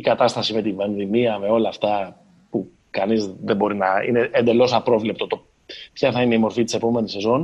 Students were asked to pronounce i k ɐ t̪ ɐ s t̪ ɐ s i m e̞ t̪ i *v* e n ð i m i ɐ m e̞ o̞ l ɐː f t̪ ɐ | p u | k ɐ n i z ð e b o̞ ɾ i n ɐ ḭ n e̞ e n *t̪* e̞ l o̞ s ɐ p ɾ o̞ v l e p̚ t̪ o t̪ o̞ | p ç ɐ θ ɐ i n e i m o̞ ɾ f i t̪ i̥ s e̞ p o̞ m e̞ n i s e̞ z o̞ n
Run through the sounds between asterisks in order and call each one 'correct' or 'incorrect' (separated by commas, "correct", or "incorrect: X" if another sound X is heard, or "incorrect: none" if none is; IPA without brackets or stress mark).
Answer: correct, incorrect: d̪